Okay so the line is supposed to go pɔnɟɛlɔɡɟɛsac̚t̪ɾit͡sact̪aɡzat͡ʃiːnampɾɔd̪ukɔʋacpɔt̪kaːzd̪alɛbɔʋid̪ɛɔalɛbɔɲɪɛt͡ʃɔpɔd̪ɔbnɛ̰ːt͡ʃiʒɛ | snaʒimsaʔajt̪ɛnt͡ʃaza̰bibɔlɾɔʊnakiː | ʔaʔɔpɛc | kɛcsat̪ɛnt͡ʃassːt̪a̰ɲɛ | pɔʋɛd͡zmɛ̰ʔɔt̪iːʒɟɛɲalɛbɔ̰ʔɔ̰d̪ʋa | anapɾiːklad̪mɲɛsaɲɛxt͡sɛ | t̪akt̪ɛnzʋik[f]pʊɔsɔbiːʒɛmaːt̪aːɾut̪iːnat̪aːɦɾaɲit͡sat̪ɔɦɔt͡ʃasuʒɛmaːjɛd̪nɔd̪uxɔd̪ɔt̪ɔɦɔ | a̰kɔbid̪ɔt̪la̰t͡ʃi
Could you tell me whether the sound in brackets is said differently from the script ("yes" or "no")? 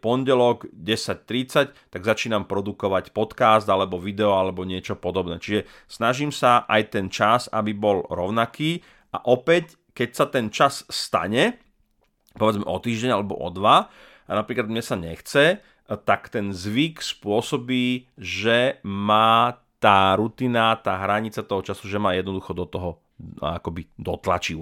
yes